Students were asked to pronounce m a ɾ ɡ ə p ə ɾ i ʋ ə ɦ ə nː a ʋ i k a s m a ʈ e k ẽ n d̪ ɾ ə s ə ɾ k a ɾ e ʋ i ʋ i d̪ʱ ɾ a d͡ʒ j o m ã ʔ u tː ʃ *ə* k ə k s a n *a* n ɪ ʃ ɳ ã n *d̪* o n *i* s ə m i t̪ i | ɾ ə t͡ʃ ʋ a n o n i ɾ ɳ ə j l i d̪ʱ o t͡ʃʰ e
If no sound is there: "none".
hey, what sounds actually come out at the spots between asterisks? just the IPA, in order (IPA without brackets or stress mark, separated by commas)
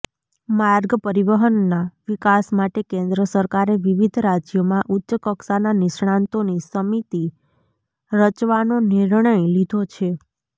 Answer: ə, a, t̪, i